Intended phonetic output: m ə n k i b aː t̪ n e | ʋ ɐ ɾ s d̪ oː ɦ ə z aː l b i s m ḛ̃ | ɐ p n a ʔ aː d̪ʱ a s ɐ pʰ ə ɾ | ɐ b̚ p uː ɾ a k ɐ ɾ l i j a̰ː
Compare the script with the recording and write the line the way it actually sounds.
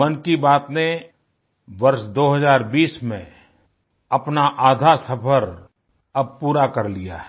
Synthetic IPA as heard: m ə n k i b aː t̪ n e | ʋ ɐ ɾ ʃ d̪ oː ɦ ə z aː ɾ b iː s m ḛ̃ | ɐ p n a ʔ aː d̪ʱ a s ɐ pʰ ə ɾ | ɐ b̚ p uː ɾ a k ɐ ɾ l i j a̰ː